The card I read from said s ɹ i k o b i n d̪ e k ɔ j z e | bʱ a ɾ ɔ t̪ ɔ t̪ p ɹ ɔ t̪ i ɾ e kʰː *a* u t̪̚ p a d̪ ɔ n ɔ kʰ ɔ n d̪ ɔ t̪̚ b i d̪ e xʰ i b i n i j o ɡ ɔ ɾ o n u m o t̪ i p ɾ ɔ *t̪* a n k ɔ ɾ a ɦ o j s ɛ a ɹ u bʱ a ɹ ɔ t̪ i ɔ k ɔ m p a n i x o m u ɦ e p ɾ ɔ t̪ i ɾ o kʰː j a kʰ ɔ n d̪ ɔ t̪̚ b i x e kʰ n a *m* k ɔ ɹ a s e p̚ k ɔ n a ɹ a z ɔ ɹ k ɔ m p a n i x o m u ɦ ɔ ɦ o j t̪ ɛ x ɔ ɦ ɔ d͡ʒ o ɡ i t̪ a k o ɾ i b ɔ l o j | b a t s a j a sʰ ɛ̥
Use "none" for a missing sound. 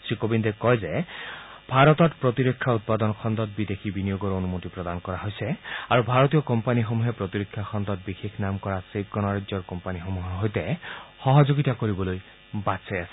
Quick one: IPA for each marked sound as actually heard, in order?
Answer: a, d̪, m

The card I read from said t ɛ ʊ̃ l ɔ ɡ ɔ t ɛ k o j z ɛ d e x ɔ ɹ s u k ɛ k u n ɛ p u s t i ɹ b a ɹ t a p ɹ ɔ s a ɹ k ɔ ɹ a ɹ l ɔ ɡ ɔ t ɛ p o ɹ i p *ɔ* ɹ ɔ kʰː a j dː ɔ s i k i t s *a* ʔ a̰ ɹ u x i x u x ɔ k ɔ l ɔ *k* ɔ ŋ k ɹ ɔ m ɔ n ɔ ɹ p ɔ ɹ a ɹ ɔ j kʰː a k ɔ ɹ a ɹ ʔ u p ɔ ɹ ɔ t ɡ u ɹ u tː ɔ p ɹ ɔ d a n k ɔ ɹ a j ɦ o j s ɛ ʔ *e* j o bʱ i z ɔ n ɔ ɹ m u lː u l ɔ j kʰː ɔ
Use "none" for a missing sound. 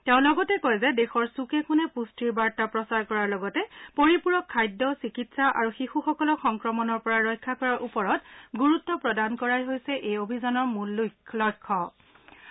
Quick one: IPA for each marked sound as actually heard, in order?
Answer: u, a, x, e

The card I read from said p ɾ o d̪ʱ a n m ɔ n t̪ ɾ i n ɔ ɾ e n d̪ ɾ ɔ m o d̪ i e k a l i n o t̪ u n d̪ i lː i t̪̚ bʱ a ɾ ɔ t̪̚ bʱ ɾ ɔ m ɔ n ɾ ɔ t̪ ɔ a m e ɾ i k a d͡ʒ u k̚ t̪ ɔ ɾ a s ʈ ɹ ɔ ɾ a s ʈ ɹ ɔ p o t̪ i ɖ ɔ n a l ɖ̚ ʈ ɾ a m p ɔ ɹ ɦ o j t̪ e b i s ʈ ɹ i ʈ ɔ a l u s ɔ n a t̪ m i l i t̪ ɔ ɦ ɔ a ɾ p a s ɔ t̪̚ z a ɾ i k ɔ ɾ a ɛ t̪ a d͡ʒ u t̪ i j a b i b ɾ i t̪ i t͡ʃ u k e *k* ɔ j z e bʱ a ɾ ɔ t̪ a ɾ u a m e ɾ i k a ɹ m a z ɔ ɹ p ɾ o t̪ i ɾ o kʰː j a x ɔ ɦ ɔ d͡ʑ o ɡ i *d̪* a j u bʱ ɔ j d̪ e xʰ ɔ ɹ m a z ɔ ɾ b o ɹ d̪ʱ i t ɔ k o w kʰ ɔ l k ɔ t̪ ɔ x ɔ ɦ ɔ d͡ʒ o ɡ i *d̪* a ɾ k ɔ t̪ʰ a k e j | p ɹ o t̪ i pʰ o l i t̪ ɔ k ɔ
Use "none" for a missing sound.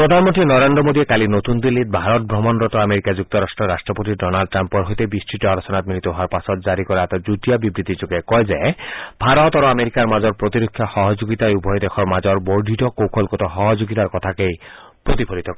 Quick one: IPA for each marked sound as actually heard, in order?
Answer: k, t̪, t̪

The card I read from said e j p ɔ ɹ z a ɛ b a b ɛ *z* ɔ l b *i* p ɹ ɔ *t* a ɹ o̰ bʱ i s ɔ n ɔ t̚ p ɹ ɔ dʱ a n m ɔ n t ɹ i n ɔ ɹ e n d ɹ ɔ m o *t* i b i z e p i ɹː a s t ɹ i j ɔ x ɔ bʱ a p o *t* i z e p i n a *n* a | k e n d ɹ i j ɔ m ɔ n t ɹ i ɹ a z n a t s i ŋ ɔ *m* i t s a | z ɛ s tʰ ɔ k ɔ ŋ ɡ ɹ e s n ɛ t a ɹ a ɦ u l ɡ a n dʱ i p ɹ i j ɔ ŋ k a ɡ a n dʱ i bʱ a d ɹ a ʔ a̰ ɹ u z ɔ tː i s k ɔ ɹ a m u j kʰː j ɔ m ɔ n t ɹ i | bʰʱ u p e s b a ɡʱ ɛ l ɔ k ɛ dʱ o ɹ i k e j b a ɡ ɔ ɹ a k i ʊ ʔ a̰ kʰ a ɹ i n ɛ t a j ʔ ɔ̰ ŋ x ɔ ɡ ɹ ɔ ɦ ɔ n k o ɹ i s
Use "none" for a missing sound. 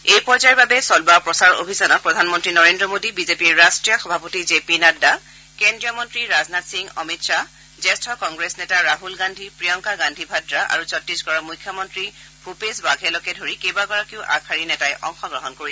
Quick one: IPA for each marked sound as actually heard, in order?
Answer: s, a, s, d, t, d, m

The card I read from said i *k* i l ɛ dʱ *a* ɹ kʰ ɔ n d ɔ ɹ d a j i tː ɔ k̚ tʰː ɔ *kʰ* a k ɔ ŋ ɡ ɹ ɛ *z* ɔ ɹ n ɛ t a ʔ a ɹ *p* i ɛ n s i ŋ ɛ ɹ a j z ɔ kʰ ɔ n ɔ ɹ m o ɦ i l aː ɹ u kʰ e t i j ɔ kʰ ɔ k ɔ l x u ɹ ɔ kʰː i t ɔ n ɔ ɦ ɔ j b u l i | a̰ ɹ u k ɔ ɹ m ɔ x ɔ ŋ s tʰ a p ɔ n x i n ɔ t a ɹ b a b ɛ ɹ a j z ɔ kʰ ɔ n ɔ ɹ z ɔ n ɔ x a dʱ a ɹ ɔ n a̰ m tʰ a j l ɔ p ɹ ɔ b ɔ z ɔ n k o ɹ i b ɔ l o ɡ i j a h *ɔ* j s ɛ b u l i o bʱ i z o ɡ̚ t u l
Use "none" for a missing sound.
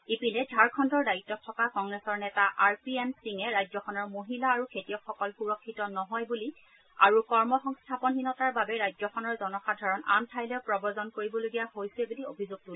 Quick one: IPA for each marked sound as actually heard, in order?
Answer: p, a, k, s, p, o

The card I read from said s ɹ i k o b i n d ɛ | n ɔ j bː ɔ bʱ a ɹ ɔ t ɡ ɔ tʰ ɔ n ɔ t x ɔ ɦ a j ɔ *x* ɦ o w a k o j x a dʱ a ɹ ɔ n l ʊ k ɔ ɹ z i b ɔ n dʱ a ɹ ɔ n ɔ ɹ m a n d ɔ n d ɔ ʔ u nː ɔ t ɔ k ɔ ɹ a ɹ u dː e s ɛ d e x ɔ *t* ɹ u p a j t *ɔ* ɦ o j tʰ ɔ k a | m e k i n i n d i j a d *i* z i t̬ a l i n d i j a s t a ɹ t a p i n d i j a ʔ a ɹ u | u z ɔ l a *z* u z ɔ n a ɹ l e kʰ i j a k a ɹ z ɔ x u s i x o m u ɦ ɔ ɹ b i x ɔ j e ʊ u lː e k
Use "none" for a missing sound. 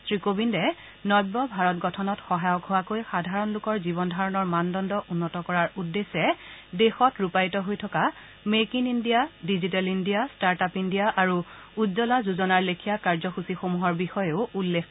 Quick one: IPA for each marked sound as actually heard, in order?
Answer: k, t, ɔ, i, z

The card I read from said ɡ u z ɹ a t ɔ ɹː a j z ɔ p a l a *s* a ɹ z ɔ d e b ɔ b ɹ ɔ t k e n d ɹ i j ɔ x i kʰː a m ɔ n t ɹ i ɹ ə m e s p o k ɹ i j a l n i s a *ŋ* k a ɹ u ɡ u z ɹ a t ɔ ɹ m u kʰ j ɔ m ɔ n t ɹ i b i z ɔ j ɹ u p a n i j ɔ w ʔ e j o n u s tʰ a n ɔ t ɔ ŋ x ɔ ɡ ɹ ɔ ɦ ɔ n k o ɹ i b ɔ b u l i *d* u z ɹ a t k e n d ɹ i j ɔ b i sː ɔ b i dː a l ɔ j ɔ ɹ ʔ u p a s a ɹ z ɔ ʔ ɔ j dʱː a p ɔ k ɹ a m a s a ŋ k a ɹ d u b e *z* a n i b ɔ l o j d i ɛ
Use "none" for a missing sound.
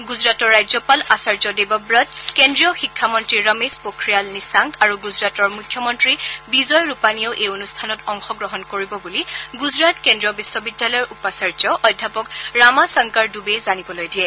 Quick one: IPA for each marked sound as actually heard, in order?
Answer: s, ŋ, ɡ, z

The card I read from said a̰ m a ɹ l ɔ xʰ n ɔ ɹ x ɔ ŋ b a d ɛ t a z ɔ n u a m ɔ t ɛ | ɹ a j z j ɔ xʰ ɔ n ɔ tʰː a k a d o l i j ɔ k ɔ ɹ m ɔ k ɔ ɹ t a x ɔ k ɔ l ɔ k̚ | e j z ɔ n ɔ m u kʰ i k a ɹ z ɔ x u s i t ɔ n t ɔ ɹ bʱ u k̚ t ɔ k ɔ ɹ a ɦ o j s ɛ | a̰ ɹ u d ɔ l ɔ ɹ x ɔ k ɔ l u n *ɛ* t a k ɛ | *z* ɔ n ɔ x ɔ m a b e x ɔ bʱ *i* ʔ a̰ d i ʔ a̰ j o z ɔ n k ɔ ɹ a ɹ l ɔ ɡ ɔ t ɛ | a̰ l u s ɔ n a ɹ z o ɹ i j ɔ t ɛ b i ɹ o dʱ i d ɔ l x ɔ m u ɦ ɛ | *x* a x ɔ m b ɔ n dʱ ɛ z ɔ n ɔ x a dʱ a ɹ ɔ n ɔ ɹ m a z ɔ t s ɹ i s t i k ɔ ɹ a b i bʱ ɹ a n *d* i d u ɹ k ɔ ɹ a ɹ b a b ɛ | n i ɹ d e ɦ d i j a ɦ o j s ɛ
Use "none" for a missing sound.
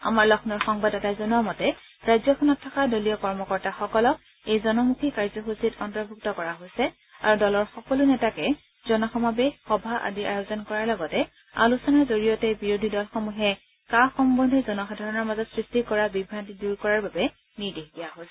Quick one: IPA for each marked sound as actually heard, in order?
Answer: ɛ, z, a, k, t

